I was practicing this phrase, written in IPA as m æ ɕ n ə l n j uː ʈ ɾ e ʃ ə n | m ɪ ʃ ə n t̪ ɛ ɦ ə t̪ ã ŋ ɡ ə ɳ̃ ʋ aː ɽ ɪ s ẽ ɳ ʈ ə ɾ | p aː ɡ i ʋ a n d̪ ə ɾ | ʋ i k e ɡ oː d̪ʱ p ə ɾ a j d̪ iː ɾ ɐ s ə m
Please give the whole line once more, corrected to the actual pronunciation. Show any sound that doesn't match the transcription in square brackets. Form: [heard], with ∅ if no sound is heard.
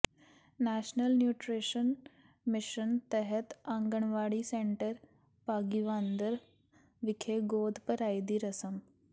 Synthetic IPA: [n] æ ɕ n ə l n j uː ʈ ɾ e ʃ ə n | m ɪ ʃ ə n t̪ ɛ ɦ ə t̪ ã ŋ ɡ ə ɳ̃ ʋ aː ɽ [i] s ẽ ɳ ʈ ə ɾ | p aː ɡ i ʋ a n d̪ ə ɾ | ʋ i [kʰ] e ɡ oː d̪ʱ p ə ɾ a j d̪ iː ɾ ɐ s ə m